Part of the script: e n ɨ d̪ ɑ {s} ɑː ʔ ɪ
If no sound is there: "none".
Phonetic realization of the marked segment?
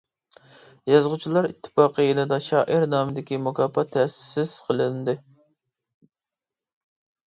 ʃ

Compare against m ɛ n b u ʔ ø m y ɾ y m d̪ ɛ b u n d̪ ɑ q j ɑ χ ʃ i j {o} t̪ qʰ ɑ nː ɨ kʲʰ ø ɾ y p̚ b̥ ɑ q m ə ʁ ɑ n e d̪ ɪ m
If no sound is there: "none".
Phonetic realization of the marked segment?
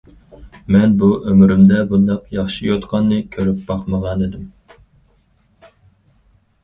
o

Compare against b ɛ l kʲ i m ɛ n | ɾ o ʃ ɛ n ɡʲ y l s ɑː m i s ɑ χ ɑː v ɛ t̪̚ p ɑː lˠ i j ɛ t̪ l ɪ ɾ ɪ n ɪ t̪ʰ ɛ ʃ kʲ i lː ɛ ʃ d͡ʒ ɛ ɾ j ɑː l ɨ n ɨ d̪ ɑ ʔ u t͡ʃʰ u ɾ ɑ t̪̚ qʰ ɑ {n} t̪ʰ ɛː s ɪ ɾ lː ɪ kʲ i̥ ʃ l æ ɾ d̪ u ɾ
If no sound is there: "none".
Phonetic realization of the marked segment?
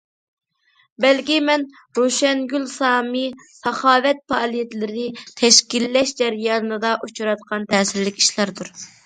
n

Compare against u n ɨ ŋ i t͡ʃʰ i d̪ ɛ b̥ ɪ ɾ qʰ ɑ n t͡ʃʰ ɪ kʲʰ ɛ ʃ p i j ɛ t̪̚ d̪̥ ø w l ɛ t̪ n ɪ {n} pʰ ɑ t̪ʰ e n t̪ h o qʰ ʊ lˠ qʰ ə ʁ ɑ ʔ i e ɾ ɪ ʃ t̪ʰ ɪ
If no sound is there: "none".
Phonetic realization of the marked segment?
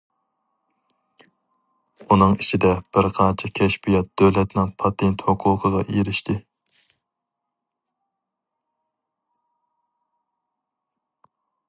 ŋ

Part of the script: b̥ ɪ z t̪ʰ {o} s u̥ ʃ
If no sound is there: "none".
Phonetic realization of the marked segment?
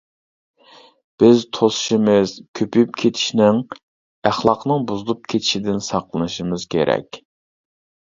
o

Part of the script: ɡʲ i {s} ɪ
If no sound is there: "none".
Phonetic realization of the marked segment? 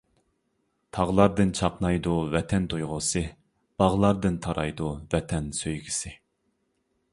s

